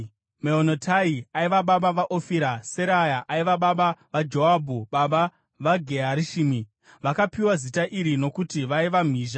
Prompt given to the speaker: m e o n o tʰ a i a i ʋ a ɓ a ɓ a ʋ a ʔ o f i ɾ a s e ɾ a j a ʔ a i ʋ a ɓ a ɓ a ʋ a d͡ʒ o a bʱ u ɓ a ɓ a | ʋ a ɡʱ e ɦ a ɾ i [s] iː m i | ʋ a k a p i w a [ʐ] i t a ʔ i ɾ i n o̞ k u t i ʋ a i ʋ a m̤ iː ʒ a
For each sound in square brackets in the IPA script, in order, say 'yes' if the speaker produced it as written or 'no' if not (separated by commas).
no, no